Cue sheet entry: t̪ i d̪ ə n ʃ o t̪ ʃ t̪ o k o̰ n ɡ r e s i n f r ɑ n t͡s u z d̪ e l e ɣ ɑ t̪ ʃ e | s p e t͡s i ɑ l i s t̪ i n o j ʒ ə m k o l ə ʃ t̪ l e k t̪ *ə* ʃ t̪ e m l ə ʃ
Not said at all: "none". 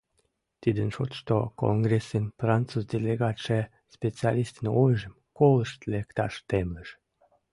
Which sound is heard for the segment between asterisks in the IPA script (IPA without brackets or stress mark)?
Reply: ɑ